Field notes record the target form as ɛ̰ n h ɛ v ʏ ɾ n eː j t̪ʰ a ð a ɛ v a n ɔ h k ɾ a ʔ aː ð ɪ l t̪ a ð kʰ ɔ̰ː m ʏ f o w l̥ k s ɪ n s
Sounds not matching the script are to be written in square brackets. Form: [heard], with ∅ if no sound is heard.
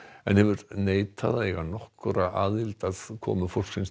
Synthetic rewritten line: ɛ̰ n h ɛ v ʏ ɾ n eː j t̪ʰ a ð a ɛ [ɣ] a n ɔ h k ɾ a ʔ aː ð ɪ l t̪ a ð kʰ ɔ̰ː m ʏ f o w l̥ k s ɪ n s